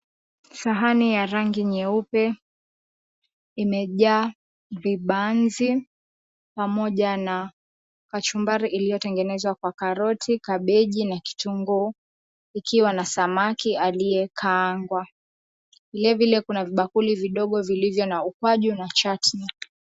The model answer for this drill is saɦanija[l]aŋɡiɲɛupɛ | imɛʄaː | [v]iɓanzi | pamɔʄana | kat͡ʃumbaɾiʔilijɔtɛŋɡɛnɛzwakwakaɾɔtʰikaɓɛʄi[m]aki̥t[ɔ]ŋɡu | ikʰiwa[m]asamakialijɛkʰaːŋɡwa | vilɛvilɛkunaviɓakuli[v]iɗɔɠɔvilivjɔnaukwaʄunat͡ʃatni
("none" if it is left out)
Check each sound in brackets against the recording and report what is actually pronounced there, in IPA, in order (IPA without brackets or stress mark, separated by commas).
ɾ, v, n, u, n, v